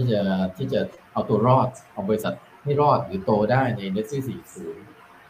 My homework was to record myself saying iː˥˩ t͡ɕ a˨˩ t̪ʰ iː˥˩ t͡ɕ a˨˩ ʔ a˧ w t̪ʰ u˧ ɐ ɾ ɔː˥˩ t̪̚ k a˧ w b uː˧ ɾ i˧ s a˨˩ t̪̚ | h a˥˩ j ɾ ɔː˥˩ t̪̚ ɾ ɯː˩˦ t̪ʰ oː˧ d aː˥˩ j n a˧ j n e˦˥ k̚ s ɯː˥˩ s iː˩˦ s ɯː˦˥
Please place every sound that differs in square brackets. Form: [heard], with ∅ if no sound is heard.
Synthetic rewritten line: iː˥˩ t͡ɕ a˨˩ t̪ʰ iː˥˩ t͡ɕ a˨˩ ʔ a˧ w [t̪] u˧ ɐ ɾ ɔː˥˩ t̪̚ [ʔ] a˧ w b [ɔː˧] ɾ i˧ s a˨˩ t̪̚ | h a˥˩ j ɾ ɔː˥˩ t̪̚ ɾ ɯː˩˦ [t̪] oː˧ d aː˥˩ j n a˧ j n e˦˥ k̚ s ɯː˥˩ s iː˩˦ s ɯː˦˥